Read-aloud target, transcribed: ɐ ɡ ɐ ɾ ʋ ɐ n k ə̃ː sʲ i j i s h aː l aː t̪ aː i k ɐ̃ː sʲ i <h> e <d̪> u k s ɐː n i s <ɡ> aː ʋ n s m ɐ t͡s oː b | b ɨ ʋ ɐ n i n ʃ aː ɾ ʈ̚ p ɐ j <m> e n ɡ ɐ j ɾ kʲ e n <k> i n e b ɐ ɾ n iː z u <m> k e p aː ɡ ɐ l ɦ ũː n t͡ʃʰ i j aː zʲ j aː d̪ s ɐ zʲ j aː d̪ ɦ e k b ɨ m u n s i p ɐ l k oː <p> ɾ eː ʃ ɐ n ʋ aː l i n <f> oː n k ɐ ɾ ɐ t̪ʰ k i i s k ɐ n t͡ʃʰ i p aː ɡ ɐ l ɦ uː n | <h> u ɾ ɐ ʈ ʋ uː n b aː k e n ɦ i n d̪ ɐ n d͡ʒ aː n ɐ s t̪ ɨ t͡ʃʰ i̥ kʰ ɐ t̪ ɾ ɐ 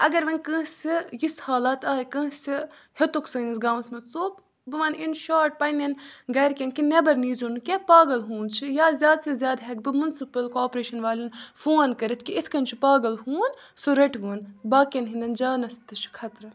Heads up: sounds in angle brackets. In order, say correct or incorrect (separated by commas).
correct, incorrect, correct, incorrect, correct, incorrect, correct, correct, incorrect